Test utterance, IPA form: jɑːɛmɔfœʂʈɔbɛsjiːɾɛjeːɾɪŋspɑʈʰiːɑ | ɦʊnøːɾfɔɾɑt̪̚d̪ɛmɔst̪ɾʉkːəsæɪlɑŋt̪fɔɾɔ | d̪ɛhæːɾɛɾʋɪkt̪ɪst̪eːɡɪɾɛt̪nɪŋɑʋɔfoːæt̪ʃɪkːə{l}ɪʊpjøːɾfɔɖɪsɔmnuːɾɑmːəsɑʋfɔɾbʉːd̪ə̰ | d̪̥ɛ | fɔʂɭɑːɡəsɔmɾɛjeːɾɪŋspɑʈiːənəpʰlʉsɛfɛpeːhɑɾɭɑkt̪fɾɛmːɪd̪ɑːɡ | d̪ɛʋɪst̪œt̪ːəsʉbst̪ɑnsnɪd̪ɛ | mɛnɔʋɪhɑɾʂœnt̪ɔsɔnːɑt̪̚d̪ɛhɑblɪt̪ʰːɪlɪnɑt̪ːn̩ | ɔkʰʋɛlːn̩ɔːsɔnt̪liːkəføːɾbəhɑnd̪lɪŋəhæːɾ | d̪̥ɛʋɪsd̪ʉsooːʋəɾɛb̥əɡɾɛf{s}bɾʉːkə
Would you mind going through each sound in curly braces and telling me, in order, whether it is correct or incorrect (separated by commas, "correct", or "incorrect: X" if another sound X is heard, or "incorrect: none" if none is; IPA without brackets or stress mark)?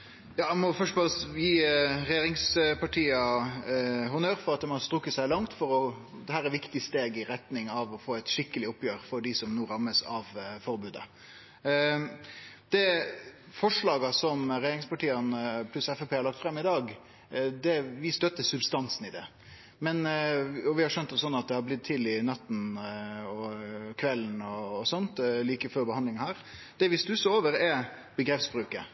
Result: correct, correct